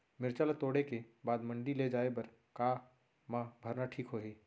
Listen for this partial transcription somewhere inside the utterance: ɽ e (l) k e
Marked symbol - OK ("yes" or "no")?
no